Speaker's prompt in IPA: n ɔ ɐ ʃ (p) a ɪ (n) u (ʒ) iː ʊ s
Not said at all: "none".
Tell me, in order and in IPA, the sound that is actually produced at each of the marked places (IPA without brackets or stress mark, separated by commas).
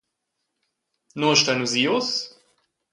t, n, z